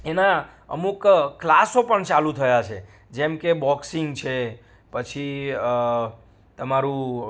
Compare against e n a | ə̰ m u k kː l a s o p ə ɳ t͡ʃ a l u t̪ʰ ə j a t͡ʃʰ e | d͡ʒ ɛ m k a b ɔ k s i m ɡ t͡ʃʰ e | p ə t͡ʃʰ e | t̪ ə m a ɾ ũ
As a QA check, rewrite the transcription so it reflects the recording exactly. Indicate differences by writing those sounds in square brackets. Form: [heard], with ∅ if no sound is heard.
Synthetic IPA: e n a | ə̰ m u k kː l a s o p ə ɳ t͡ʃ a l u t̪ʰ ə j a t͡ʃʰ e | d͡ʒ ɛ m k [e] b ɔ k s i [ŋ] ɡ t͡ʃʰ e | p ə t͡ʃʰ [i] | t̪ ə m a ɾ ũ